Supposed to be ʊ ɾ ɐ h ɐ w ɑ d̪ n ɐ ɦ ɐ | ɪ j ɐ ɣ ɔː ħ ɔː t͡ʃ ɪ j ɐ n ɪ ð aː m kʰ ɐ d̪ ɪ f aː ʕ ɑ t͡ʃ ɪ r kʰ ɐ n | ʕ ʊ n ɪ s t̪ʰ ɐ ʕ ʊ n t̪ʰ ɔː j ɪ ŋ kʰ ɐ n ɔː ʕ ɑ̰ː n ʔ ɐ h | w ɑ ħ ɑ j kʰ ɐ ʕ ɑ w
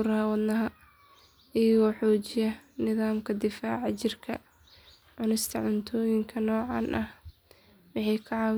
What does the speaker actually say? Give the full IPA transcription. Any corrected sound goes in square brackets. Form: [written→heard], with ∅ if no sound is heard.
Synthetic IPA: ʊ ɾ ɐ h ɐ w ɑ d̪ n ɐ ɦ ɐ | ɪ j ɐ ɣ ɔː ħ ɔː t͡ʃ ɪ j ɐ n ɪ ð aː m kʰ ɐ d̪ ɪ f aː ʕ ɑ t͡ʃ ɪ r kʰ ɐ [n→∅] | ʕ ʊ n ɪ s t̪ʰ ɐ ʕ ʊ n t̪ʰ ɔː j ɪ ŋ kʰ ɐ n ɔː ʕ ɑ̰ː n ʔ ɐ h | w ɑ ħ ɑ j kʰ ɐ ʕ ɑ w